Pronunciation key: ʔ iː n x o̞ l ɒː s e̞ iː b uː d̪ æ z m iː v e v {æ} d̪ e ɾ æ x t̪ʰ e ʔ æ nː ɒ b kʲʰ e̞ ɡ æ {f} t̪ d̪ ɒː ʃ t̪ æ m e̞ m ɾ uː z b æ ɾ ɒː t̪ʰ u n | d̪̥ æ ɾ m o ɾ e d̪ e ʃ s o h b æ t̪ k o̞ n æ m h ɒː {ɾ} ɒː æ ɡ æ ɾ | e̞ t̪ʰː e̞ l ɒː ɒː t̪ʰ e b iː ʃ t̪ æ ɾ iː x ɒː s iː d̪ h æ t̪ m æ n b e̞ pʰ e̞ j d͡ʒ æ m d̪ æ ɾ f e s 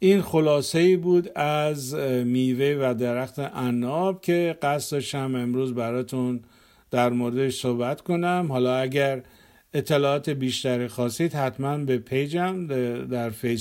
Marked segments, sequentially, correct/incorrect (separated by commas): correct, incorrect, incorrect